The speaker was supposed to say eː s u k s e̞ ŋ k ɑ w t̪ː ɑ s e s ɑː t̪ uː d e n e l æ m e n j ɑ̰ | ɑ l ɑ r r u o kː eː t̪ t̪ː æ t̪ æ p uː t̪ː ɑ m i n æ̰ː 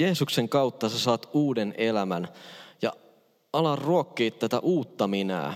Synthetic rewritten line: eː s u k s e̞ ŋ k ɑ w t̪ː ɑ s e s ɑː t̪ uː d e n e l æ m æ n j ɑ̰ | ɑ l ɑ r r u o kː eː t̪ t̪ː æ t̪ æ ʔ uː t̪ː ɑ m i n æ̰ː